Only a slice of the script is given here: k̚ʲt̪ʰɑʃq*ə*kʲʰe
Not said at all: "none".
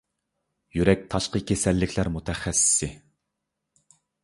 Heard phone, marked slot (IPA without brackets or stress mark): ə